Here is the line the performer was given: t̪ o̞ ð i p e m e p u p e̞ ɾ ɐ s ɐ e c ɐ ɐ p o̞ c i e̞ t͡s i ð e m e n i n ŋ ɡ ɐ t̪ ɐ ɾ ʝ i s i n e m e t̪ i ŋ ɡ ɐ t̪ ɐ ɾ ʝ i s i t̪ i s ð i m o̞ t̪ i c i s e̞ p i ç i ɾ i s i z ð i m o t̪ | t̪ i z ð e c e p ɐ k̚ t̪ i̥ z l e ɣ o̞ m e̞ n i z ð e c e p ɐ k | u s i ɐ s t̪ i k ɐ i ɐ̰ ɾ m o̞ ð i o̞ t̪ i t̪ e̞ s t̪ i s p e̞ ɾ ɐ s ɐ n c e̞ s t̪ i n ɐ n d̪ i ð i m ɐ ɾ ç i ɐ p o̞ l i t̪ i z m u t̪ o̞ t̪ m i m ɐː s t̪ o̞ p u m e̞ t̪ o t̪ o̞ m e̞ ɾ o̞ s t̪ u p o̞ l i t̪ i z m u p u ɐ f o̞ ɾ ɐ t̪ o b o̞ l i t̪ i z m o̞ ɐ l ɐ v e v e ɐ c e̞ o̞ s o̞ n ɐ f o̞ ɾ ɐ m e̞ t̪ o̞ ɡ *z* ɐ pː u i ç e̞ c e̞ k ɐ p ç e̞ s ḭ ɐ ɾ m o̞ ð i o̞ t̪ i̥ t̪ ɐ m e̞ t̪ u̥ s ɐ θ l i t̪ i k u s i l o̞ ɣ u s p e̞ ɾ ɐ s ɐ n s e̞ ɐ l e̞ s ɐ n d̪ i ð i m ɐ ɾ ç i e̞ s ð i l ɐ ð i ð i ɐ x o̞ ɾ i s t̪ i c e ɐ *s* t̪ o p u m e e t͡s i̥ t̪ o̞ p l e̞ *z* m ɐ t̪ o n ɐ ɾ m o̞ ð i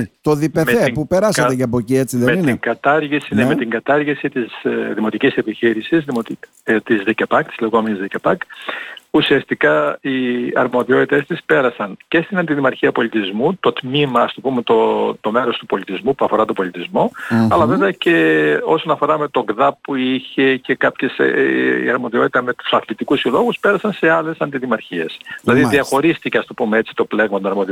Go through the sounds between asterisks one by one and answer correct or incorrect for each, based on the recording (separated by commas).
incorrect, correct, incorrect